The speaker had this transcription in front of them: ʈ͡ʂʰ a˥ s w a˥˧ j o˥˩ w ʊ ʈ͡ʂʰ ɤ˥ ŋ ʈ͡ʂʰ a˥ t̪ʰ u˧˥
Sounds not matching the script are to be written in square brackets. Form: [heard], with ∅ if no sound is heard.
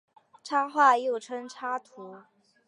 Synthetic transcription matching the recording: ʈ͡ʂʰ a˥ [x] w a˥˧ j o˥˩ [∅] ʊ ʈ͡ʂʰ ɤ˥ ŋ ʈ͡ʂʰ a˥ t̪ʰ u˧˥